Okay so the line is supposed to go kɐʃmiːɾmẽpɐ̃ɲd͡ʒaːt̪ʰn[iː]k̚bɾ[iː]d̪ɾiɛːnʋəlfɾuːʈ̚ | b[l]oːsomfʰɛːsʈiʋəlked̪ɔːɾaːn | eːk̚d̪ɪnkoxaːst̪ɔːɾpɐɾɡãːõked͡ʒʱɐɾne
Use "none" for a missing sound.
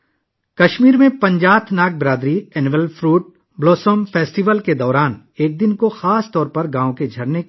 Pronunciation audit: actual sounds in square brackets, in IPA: aː, aː, l

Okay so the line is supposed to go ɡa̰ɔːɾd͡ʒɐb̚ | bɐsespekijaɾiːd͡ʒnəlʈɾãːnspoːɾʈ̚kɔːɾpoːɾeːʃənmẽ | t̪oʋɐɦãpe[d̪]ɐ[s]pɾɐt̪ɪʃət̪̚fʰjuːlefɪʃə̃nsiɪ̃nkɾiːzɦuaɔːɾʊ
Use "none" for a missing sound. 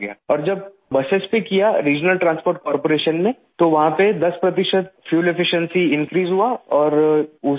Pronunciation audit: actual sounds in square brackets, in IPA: d̪, s

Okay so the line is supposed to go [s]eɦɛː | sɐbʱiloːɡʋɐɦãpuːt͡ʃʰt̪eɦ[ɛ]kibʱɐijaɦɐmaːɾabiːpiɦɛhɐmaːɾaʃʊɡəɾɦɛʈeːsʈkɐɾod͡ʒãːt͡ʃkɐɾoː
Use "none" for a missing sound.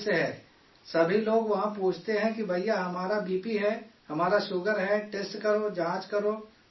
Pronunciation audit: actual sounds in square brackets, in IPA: s, ɛ̃

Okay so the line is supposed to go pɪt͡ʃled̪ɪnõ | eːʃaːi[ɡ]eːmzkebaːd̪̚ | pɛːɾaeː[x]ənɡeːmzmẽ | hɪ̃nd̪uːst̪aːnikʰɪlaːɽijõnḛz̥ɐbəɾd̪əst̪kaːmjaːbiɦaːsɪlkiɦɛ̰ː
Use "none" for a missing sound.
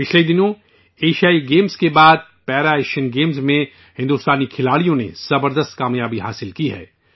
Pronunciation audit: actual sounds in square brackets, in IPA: ɡ, ʃ

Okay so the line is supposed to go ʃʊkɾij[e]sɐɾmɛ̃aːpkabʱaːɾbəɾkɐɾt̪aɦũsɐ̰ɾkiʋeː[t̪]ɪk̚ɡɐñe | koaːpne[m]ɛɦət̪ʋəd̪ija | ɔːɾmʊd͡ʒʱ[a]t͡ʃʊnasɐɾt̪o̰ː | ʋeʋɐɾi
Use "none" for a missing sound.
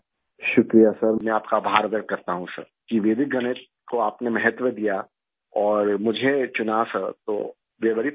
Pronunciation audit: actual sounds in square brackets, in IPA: a, d̪, m, e

